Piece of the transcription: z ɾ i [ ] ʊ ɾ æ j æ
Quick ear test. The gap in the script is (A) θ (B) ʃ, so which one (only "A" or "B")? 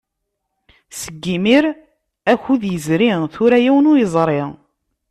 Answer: A